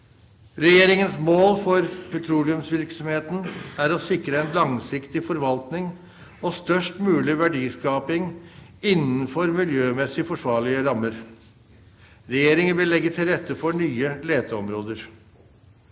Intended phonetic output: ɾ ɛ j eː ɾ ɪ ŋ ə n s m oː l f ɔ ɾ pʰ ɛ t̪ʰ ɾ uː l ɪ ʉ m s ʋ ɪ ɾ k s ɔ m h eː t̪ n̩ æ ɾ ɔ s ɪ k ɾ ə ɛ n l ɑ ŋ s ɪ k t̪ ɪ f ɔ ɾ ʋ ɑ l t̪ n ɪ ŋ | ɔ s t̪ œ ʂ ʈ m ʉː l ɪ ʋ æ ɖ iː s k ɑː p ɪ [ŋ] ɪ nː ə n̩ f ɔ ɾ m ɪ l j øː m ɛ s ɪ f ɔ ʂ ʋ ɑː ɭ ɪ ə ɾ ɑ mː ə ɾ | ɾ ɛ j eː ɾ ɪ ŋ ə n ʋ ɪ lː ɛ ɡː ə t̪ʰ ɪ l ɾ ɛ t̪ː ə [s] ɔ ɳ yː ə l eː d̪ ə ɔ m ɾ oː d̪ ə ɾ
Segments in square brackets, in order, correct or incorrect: correct, incorrect: f

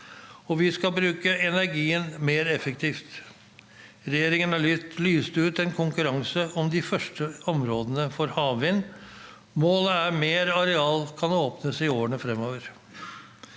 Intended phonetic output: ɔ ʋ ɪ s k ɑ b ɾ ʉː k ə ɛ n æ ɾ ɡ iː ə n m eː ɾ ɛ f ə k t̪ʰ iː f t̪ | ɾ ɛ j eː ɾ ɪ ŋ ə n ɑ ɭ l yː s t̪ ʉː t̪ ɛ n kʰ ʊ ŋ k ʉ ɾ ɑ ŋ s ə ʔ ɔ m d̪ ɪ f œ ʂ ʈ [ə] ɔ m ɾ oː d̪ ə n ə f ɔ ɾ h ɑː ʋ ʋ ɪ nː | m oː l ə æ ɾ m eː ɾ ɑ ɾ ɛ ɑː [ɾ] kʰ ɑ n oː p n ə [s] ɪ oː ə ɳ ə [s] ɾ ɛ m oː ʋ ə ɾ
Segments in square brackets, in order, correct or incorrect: correct, incorrect: l, correct, incorrect: f

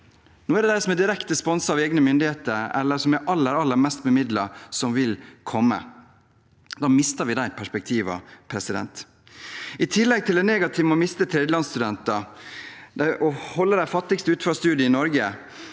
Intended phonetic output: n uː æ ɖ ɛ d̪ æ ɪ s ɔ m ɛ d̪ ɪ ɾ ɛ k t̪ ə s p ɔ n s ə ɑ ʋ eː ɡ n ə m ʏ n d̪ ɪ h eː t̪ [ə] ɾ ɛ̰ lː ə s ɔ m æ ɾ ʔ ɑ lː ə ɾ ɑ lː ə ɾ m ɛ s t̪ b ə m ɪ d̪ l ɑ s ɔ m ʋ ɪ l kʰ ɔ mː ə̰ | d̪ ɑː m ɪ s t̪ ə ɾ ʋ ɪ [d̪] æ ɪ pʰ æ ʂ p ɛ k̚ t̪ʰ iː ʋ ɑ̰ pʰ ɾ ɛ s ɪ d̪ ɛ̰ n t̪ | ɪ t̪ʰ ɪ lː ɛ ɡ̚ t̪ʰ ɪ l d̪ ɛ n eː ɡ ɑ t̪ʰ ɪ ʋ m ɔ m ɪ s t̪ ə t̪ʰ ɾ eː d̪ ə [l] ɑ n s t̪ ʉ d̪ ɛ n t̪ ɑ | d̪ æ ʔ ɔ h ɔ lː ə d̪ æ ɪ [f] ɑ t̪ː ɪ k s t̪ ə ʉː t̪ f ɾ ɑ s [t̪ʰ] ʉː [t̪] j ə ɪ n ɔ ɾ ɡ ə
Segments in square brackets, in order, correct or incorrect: correct, correct, correct, correct, incorrect: t̪, incorrect: d̪

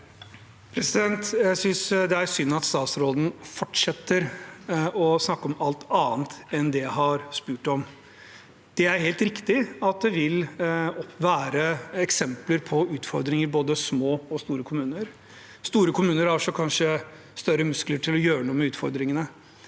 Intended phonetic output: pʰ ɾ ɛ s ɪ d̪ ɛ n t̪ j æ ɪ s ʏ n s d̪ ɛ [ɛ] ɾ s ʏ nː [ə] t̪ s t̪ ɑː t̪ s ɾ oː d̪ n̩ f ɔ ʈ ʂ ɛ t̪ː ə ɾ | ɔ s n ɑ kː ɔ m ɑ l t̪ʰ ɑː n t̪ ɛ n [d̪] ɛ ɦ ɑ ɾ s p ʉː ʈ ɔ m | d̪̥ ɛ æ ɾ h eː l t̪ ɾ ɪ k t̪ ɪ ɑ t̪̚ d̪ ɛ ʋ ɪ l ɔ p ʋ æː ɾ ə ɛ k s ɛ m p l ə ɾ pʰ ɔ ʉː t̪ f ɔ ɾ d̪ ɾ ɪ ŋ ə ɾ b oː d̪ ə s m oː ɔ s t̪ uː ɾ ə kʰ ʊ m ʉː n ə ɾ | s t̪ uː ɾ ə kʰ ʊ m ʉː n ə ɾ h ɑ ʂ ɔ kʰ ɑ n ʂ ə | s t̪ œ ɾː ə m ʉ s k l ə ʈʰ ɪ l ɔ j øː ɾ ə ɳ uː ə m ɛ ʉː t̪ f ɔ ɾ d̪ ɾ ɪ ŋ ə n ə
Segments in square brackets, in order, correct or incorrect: incorrect: æ, incorrect: ɑ, correct

